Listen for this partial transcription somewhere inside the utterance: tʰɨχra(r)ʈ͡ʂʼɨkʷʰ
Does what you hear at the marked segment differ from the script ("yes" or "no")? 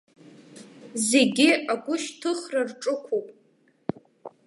no